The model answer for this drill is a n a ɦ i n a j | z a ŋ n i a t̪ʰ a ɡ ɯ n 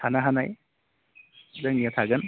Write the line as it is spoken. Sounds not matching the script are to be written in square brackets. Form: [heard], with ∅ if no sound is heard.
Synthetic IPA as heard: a n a ɦ [a] n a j | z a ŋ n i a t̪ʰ a ɡ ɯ n